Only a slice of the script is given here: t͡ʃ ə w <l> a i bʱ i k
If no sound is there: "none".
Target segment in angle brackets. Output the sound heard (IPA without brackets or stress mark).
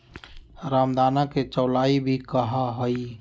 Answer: l